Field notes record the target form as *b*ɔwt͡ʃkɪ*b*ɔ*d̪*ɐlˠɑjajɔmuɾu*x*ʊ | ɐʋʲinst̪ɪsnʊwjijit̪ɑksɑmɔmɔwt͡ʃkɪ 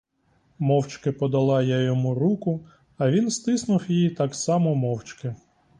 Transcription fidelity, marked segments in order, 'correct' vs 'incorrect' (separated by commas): incorrect, incorrect, correct, incorrect